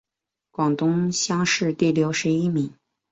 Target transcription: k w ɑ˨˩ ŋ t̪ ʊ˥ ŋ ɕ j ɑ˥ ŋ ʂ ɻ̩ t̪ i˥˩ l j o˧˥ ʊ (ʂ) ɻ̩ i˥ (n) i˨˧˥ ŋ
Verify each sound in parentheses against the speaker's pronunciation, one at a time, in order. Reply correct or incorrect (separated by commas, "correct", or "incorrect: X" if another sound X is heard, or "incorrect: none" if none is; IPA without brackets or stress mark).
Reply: correct, incorrect: m